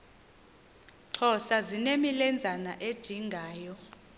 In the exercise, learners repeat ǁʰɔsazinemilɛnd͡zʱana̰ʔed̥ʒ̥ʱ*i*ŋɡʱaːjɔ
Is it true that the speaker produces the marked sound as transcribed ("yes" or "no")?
yes